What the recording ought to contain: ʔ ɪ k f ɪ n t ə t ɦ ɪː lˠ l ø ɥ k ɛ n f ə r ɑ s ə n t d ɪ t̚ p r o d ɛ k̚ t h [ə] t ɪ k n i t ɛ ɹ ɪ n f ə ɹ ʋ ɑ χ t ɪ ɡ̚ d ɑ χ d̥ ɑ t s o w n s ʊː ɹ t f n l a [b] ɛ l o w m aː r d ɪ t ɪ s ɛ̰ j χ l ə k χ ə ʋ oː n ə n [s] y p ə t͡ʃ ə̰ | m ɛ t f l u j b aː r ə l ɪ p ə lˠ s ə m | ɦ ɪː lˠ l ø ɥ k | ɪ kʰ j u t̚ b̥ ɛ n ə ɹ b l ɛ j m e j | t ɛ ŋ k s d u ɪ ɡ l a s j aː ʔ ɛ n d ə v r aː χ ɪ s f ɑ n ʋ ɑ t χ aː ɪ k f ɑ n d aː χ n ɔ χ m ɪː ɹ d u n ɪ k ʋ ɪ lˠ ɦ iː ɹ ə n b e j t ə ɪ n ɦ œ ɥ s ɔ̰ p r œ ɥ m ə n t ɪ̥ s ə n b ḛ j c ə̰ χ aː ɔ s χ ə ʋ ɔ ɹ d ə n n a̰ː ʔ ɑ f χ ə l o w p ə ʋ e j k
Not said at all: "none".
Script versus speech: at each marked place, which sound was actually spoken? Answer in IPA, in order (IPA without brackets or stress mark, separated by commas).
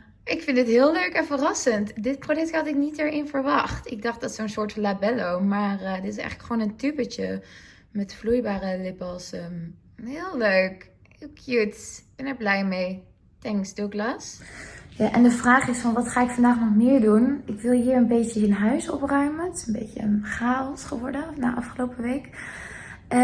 ɑ, b, t